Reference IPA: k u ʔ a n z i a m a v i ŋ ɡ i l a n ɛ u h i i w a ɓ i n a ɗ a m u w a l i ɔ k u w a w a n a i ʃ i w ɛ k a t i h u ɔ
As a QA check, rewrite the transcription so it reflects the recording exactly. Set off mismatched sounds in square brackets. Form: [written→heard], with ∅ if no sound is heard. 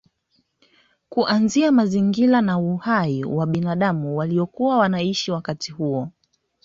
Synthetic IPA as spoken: k u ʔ a n z i a m a [v→z] i ŋ ɡ i l a n [ɛ→a] u h [i→a] i w a ɓ i n a ɗ a m u w a l i ɔ k u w a w a n a i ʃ i w [ɛ→a] k a t i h u ɔ

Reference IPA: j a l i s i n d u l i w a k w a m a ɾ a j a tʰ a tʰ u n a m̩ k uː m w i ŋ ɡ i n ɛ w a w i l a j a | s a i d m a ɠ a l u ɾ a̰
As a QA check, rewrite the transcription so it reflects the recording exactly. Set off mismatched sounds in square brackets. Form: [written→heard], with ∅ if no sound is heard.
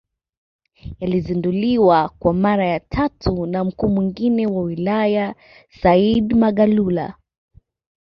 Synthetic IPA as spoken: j a l i [s→z] i n d u l i w a k w a m a ɾ a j a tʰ a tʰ u n a m̩ k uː m w i ŋ ɡ i n ɛ w a w i l a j a | s a i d m a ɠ a l u [ɾ→l] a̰

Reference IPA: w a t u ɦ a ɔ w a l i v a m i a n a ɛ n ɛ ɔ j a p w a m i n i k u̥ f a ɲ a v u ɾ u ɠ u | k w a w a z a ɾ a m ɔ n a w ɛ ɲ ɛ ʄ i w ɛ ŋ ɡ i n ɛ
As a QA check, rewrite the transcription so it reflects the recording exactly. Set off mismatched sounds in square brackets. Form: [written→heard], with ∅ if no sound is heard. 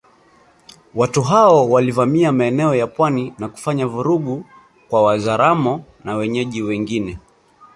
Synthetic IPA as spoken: w a t u ɦ a ɔ w a l i v a m i a [n→m] a ɛ n ɛ ɔ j a p w a [m→n] i n [i→a] k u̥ f a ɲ a v u ɾ u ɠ u | k w a w a z a ɾ a m ɔ n a w ɛ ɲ ɛ ʄ i w ɛ ŋ ɡ i n ɛ

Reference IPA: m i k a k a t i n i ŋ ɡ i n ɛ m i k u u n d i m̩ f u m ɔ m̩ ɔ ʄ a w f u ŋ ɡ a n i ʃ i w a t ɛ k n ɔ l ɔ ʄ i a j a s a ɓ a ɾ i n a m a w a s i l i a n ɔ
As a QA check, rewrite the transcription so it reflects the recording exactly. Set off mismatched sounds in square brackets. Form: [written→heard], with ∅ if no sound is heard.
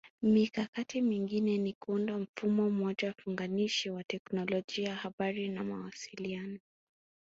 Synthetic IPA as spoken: m i k a k a t i [n→m] i ŋ ɡ i n ɛ [m→n] i k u u n d [i→a] m̩ f u m ɔ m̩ ɔ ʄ a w f u ŋ ɡ a n i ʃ i w a t ɛ k n ɔ l ɔ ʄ i a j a [s→h] a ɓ a ɾ i n a m a w a s i l i a n ɔ

